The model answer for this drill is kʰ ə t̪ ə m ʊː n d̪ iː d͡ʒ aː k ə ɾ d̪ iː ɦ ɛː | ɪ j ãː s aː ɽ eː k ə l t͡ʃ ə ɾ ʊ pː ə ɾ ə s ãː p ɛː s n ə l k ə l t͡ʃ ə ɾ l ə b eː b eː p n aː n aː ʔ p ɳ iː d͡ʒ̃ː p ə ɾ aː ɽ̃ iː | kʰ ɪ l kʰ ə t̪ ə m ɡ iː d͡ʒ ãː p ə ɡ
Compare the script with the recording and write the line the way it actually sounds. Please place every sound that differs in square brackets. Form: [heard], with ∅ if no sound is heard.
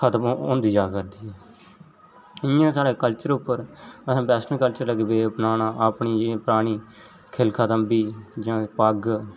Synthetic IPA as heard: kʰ ə t̪ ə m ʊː n d̪ iː d͡ʒ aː k ə ɾ d̪ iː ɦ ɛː | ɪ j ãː s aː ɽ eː k ə l t͡ʃ ə ɾ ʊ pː ə ɾ ə s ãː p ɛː s n ə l k ə l t͡ʃ ə ɾ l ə [ɡ] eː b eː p n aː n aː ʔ p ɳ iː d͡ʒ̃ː p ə ɾ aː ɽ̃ iː | kʰ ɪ l kʰ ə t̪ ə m [b] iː d͡ʒ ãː p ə ɡ